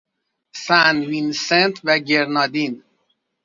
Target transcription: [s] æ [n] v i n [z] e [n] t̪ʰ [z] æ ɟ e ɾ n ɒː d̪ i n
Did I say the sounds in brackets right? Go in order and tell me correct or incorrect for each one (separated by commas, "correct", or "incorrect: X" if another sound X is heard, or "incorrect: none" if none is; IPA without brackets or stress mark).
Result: correct, correct, incorrect: s, correct, incorrect: v